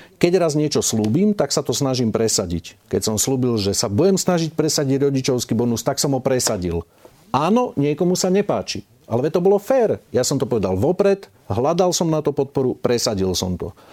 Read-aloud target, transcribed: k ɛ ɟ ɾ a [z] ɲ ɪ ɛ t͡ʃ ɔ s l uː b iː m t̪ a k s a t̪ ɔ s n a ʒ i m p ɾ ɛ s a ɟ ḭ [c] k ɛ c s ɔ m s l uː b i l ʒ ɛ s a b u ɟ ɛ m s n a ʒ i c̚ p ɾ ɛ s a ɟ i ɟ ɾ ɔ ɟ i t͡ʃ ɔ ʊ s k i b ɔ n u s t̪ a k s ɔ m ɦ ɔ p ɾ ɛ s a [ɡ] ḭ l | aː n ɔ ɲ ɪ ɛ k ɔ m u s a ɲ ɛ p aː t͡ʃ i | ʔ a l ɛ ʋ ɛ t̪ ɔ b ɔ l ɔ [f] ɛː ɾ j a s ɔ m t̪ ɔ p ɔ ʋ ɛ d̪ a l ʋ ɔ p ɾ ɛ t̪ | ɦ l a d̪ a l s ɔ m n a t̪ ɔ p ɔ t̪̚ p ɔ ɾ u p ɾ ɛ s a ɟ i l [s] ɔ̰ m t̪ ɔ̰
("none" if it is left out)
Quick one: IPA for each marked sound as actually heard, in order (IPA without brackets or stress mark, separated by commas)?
z, c, ɟ, f, s